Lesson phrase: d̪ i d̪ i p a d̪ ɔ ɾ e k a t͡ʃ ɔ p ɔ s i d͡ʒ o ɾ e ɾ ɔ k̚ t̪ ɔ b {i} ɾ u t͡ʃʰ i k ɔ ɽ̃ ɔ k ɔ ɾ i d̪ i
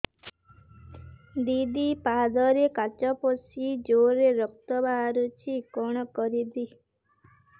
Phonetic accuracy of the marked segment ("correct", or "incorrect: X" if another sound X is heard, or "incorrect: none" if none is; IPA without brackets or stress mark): incorrect: a